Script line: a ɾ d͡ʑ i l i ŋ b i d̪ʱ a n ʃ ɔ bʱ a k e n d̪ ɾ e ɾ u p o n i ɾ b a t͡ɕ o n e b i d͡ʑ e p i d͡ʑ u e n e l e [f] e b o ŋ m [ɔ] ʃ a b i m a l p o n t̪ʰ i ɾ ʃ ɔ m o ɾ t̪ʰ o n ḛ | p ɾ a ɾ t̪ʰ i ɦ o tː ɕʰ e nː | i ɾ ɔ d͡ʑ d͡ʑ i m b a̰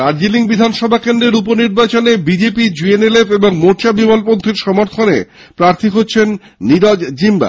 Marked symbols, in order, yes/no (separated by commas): yes, no